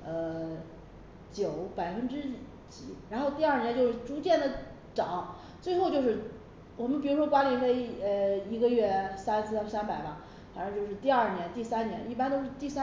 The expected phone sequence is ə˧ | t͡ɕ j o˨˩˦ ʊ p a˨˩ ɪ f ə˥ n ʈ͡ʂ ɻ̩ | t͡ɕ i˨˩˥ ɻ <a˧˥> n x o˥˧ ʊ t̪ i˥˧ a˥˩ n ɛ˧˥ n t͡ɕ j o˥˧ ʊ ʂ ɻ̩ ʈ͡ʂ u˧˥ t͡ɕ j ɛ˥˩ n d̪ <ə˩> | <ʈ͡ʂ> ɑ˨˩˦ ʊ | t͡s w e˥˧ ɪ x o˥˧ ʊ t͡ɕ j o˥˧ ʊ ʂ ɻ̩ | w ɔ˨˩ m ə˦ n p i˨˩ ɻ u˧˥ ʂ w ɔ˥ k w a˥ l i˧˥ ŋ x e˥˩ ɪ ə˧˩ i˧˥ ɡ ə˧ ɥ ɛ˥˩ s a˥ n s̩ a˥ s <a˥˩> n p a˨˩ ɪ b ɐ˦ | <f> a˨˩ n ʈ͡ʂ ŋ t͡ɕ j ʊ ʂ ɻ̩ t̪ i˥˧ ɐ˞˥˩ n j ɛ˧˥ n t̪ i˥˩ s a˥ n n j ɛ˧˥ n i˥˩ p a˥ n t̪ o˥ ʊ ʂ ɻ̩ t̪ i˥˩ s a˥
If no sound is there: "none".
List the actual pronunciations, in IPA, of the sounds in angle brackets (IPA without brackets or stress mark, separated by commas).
a˧˥, ə˩, ʈ͡ʂ, a˥, f